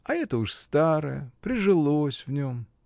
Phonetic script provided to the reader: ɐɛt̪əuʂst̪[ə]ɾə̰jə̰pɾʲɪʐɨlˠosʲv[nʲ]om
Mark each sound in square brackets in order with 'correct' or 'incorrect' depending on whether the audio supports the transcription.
incorrect: a, correct

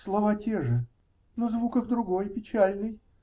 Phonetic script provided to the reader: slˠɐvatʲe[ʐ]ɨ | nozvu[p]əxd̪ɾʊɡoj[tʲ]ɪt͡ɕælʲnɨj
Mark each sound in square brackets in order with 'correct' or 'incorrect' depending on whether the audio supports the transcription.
correct, incorrect: k, incorrect: pʲ

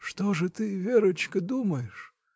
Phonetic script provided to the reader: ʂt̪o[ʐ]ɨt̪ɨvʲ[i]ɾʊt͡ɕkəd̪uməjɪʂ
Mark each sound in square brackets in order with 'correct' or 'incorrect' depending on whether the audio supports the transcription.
correct, incorrect: e

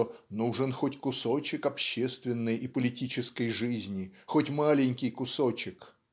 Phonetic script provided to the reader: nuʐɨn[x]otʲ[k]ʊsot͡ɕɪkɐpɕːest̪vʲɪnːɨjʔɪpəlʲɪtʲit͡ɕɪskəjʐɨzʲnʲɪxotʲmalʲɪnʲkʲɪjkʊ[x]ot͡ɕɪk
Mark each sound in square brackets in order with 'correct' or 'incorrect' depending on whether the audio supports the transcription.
correct, correct, incorrect: s

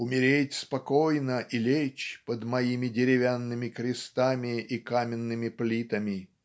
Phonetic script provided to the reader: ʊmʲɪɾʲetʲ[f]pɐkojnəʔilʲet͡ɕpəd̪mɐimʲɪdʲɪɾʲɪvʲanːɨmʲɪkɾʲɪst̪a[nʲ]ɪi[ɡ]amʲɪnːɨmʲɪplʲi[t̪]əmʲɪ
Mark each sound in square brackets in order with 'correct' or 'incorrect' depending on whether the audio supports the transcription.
incorrect: s, incorrect: mʲ, incorrect: k, correct

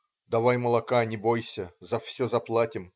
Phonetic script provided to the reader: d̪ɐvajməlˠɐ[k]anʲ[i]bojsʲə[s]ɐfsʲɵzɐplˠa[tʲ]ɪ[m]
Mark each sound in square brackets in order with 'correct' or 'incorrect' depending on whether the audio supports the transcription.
correct, incorrect: ɪ, incorrect: z, correct, correct

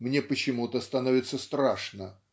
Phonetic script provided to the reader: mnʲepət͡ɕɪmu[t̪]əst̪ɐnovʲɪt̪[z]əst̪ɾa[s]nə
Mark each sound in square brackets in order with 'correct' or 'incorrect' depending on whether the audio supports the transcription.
correct, incorrect: s, incorrect: ʂ

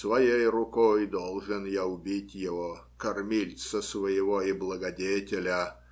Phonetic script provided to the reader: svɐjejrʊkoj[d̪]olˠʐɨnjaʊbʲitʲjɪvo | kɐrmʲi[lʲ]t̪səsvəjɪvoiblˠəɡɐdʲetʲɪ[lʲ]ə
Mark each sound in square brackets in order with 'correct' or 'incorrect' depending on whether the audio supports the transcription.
correct, correct, correct

